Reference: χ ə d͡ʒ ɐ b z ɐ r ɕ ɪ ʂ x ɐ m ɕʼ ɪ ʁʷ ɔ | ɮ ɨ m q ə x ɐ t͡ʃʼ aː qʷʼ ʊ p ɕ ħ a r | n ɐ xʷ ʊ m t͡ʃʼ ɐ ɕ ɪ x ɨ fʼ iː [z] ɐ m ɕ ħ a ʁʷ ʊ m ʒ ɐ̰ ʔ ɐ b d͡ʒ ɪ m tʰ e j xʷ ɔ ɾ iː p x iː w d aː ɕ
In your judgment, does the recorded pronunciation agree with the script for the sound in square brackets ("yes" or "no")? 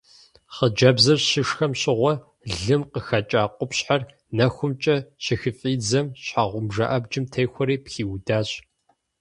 no